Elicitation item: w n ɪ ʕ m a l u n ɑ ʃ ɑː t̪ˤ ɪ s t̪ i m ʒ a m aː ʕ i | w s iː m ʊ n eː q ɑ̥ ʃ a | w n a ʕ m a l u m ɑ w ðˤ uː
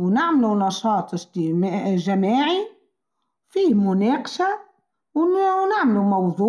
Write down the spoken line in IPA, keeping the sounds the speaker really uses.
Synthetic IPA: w n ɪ ʕ m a l u n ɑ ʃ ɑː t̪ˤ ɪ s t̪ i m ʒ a m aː ʕ i | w f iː m ʊ n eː q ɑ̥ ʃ a | w n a ʕ m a l u m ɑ w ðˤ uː

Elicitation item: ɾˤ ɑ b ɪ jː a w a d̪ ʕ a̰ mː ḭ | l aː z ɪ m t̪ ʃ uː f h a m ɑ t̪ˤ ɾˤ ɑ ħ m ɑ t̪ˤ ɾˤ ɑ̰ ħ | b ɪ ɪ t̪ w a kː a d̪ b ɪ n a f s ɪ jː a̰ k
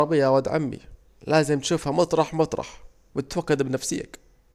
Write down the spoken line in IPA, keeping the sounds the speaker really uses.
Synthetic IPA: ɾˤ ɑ b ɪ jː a w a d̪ ʕ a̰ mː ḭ | l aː z ɪ m t̪ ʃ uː f h a m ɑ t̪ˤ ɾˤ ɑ ħ m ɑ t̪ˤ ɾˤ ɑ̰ ħ | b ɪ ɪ t̪ w a kː a d̪ b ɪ n a f s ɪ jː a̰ k

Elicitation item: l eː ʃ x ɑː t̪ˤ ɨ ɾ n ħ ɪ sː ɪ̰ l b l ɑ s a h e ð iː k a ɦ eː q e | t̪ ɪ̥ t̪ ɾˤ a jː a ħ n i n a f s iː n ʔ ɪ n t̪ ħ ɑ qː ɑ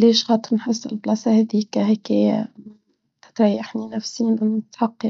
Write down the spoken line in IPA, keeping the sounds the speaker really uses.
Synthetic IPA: l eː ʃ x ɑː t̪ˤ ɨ ɾ n ħ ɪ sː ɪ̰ l b l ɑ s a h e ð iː k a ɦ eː k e | t̪ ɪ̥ t̪ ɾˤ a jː a ħ n i n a f s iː n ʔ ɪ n t̪ ħ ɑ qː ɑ

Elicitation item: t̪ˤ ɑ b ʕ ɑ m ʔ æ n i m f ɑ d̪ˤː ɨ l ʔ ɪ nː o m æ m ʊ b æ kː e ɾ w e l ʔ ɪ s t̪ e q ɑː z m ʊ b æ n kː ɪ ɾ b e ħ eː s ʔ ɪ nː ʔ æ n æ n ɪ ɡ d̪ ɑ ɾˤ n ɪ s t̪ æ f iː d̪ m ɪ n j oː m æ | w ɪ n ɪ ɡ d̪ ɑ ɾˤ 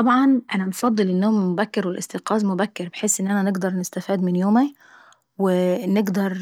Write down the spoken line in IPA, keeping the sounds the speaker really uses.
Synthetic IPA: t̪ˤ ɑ b ʕ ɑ n ʔ æ n æ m f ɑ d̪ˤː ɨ l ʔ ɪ nː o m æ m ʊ b æ kː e ɾ w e l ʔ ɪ s t̪ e q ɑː z m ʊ b æ kː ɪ ɾ b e ħ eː s ʔ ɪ nː ʔ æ n æ n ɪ ɡ d̪ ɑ ɾˤ n ɪ s t̪ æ f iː d̪ m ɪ n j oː m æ | w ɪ n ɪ ɡ d̪ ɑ ɾˤ

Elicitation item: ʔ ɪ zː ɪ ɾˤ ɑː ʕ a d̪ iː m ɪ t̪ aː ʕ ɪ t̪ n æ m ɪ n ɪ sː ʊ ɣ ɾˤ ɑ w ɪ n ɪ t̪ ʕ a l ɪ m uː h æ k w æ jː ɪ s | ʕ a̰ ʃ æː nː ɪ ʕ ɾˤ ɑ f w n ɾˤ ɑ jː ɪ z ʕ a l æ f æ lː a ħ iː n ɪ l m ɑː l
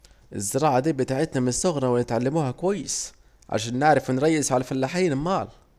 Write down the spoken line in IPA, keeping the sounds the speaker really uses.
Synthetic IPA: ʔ ɪ zː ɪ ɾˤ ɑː ʕ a d̪ iː b ɪ t̪ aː ʕ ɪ t̪ n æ m ɪ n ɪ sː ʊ ɣ ɾˤ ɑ w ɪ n ɪ t̪ ʕ a lː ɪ m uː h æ k w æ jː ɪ s | ʕ a̰ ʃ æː nː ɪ ʕ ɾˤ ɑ f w n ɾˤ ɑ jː ɪ z ʕ a l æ f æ lː a ħ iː n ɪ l m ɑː l

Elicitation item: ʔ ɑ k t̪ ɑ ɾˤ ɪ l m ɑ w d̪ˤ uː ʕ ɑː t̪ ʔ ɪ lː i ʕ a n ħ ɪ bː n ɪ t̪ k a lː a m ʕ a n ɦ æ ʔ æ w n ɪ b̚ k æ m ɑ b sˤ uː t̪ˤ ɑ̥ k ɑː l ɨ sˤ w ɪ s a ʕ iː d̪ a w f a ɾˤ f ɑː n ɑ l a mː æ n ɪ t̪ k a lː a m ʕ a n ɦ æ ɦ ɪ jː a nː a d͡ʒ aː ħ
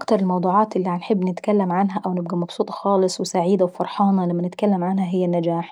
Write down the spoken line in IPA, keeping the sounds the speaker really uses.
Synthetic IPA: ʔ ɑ k t̪ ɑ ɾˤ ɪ l m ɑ w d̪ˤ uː ʕ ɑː t̪ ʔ ɪ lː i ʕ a n ħ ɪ bː n ɪ t̪ k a lː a m ʕ a n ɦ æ ʔ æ w n ɪ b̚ ɡ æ m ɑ b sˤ uː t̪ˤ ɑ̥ x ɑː l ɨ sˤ w ɪ s a ʕ iː d̪ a w f ɑ ɾˤ ħ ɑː n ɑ l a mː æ n ɪ t̪ k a lː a m ʕ a n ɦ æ ɦ ɪ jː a nː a d͡ʒ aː ħ

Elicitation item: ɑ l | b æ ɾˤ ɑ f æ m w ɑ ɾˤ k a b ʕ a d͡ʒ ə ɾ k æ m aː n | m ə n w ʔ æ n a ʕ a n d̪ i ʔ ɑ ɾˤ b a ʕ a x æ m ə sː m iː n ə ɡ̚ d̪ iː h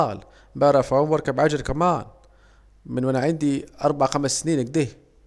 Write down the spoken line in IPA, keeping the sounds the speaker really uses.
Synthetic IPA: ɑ l | b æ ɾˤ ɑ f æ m w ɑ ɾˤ k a b ʕ a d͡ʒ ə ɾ k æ m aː n | m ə n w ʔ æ n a ʕ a n d̪ i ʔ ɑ ɾˤ b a ʕ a x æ m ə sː n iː n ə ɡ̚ d̪ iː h

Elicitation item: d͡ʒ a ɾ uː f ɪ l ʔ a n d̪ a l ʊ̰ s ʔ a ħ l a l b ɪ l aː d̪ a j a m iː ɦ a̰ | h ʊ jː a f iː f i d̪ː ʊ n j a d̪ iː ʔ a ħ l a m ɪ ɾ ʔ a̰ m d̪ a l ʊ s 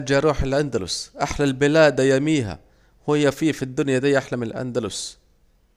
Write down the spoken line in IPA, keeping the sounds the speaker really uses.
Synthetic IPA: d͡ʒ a ɾ uː ħ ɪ l ʔ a n d̪ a l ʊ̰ s ʔ a ħ l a l b ɪ l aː d̪ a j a m iː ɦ a̰ | h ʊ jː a f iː f i d̪ː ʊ n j a d̪ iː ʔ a ħ l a m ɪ l ʔ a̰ n d̪ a l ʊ s

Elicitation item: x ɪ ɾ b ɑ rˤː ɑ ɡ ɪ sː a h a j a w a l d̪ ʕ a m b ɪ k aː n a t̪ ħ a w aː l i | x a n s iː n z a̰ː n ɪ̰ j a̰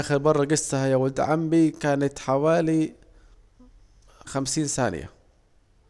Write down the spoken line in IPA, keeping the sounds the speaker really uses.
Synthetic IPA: x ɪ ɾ b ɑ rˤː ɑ ɡ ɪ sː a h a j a w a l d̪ ʕ a m b i k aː n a t̪ ħ a w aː l i | x a m s iː n s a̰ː n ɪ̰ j a̰

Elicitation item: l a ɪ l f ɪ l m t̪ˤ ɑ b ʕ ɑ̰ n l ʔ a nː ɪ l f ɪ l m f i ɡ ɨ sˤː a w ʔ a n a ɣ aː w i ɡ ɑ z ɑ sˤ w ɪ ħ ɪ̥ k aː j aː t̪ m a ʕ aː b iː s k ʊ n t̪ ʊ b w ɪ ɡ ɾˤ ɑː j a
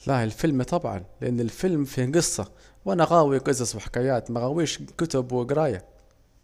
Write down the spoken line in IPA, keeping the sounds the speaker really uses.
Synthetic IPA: l a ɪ l f ɪ l m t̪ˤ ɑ b ʕ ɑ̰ n l ʔ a nː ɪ l f ɪ l m f i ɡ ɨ sˤː ɑ w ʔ a n a ɣ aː w i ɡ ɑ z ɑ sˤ w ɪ ħ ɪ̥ k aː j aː t̪ m a ɣ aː w iː ʃ k ʊ t̪ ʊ b w ɪ ɡ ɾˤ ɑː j a

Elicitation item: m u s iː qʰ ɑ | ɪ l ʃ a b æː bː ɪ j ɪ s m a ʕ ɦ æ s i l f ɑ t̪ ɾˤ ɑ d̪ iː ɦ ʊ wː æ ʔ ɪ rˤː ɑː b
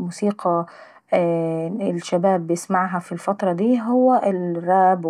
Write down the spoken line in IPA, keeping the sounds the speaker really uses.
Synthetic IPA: m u s iː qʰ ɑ | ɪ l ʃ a b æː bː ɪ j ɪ s m a ʕ ɦ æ f i l f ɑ t̪ ɾˤ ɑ d̪ iː ɦ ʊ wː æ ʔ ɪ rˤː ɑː b

